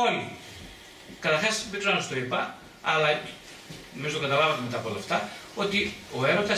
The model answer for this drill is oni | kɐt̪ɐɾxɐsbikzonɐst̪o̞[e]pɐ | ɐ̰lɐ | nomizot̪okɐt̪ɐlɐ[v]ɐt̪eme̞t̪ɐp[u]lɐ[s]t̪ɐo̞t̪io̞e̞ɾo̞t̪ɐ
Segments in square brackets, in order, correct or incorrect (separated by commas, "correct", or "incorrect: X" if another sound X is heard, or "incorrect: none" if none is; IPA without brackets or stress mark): incorrect: i, correct, incorrect: o, incorrect: f